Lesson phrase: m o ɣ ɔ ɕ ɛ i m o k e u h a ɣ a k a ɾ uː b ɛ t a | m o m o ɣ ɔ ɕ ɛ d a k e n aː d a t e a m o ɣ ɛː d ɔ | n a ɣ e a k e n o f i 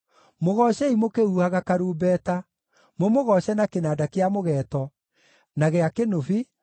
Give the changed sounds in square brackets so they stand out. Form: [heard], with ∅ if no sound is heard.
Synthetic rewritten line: m o ɣ ɔ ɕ ɛ i m o k e u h a ɣ a k a ɾ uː b ɛ t a | m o m o ɣ ɔ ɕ ɛ [n] a k e n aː d a [k] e a m o ɣ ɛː [t] ɔ | n a ɣ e a k e n o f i